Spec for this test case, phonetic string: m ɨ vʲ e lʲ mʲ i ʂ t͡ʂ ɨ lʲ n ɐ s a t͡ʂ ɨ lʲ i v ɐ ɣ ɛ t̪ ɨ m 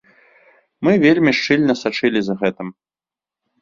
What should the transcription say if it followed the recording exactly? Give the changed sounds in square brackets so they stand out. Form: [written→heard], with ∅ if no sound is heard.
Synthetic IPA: m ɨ vʲ e lʲ mʲ i ʂ t͡ʂ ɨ lʲ n ɐ s a t͡ʂ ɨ lʲ i [v→z] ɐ ɣ ɛ t̪ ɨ m